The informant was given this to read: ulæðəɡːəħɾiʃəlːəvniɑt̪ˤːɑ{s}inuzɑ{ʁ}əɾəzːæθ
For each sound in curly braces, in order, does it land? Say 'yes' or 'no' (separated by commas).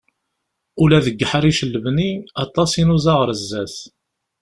yes, yes